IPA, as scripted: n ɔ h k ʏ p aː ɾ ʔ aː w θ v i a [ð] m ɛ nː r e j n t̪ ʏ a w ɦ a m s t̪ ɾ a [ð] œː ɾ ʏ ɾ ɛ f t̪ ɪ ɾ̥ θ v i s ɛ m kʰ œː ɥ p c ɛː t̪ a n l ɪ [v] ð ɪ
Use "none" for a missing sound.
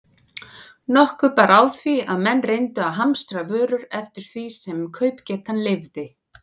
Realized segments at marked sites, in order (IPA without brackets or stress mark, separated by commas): ð, v, v